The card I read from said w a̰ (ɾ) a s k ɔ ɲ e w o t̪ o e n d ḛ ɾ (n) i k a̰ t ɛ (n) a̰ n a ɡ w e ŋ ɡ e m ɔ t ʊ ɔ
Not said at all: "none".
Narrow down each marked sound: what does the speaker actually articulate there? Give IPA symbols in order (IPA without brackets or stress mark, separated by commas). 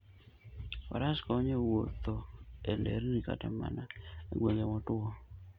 ɾ, n, m